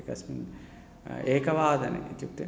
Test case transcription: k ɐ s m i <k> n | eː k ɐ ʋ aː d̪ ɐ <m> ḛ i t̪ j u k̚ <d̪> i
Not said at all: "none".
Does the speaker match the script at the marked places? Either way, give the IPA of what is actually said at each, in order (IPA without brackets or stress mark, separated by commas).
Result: none, n, t̪